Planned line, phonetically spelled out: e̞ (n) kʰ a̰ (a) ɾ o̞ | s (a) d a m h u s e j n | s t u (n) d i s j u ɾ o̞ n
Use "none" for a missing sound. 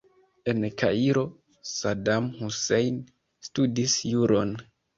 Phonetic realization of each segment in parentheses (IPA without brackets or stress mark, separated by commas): n, i, a, none